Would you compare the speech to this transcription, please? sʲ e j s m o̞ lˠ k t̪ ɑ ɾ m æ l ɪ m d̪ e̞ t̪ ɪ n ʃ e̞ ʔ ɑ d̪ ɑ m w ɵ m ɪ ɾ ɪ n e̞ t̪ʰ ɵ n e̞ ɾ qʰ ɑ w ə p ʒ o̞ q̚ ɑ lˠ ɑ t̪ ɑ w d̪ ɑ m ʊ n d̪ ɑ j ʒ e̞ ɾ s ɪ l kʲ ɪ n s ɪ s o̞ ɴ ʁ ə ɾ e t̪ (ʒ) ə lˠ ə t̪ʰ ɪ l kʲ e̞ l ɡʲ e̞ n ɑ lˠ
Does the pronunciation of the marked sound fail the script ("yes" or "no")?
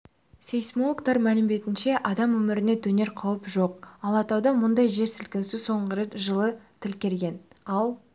no